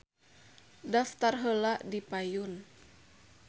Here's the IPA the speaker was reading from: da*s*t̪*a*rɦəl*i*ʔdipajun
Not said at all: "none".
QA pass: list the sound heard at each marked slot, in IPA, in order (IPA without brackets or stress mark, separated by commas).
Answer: f, a, a